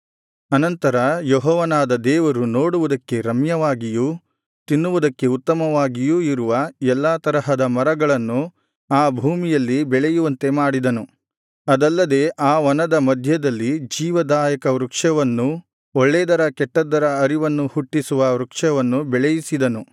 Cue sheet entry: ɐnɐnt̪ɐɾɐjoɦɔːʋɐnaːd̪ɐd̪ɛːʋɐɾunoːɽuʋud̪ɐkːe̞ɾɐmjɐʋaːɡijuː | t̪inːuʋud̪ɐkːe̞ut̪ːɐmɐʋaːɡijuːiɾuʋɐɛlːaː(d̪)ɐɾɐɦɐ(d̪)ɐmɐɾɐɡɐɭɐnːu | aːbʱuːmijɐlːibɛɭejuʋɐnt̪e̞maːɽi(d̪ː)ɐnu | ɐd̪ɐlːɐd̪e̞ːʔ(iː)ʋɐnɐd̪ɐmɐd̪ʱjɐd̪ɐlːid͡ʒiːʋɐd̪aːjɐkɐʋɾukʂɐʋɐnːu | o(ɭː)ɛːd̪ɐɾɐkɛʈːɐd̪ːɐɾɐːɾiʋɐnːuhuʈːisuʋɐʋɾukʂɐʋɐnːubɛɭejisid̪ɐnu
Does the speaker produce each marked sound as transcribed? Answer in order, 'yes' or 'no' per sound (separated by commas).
no, yes, no, no, yes